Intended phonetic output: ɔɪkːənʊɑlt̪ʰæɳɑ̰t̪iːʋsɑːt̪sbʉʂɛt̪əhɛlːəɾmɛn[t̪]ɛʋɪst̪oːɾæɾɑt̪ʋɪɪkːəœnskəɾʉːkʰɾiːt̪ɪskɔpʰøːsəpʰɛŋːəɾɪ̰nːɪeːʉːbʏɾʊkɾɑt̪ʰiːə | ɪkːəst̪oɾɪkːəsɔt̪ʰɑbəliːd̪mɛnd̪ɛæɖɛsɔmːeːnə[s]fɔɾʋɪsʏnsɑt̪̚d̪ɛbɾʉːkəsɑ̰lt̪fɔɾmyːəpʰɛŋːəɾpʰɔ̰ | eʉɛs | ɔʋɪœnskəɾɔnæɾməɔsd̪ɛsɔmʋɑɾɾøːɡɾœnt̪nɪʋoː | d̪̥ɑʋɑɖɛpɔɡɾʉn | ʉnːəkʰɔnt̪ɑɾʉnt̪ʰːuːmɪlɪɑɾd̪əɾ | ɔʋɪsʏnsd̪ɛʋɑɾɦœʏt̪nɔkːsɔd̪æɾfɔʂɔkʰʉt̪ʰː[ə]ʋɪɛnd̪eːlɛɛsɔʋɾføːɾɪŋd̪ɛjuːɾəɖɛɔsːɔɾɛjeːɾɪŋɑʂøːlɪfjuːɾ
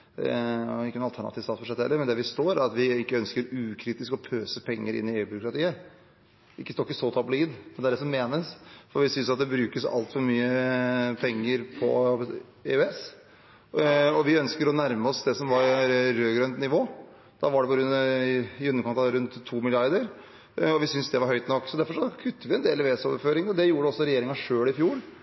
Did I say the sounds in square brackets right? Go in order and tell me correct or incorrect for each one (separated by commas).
incorrect, correct, correct